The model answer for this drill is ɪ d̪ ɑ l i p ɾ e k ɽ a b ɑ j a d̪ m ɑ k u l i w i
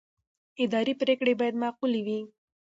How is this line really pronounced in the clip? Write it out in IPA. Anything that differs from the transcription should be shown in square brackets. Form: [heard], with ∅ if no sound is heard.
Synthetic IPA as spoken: ɪ d̪ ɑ [ɾ] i p ɾ e k ɽ [e] b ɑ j a d̪ m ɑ [q] u l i w i